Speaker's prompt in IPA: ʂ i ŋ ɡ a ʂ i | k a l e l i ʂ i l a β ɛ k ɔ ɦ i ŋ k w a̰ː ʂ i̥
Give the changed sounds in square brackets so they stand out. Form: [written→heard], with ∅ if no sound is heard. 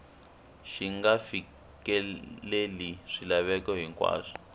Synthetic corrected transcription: [ʂ→ʃ] i ŋ ɡ a [ʂ→f] i | k [a→ɛ] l e l i ʂ i l a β ɛ k ɔ ɦ i ŋ k w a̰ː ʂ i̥